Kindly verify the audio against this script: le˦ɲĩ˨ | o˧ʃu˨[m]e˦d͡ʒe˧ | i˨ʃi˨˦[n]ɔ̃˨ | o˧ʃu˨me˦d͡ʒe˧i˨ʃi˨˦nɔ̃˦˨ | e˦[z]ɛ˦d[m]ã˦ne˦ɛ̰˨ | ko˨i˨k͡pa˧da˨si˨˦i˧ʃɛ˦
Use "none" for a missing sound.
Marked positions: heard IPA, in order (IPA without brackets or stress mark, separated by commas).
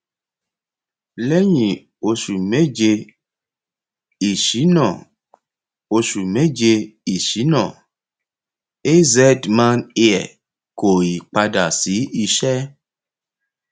m, n, z, m